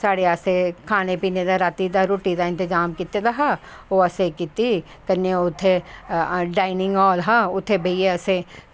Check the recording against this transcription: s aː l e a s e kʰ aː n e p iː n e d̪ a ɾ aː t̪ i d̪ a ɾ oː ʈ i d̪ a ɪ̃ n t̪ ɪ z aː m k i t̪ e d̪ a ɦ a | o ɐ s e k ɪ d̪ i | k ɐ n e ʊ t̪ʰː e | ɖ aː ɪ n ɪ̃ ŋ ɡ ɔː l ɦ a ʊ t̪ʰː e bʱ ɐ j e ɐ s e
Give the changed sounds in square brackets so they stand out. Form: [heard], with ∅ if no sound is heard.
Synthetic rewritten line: s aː [ɽ] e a s e kʰ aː n e p iː n e d̪ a ɾ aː t̪ i d̪ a ɾ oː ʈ i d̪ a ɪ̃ n t̪ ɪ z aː m k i t̪ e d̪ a ɦ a | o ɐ s e k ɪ [t̪] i | k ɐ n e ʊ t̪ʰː e | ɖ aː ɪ n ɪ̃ ŋ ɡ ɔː l ɦ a ʊ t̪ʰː e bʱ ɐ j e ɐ s e